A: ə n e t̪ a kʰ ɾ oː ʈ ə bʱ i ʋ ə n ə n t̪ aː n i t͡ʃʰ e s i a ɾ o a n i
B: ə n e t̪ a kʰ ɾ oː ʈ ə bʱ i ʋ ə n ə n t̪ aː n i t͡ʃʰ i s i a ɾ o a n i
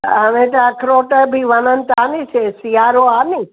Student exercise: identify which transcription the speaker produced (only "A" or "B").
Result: A